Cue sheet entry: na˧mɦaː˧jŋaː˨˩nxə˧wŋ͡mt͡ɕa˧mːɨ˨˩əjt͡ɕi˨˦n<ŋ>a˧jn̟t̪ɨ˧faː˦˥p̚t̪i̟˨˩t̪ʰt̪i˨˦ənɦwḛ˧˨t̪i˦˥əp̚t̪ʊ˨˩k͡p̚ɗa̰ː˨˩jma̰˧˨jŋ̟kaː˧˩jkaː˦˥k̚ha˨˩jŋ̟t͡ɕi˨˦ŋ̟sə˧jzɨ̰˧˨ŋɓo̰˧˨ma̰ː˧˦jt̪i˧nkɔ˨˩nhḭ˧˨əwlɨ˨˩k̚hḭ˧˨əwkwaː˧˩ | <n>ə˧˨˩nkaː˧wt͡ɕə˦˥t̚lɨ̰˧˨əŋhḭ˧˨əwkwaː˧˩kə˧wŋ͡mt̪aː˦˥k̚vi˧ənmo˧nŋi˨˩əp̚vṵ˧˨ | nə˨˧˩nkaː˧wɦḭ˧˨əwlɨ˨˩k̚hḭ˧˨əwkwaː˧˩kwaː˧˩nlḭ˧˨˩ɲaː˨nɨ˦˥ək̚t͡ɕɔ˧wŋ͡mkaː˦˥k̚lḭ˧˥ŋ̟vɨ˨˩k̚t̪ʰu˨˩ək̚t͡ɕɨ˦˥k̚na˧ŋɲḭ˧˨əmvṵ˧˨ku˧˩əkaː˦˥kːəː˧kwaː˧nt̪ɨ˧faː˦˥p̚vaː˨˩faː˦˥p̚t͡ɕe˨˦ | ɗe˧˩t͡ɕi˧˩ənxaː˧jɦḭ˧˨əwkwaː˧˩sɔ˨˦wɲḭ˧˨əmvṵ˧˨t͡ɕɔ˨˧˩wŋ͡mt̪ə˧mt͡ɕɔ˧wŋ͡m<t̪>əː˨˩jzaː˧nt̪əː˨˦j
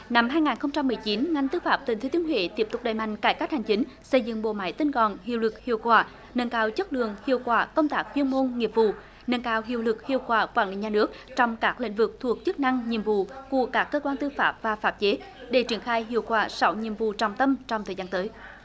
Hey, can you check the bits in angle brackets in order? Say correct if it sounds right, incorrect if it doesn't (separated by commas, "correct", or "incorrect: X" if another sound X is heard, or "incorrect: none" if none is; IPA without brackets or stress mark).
correct, correct, incorrect: t̪ʰ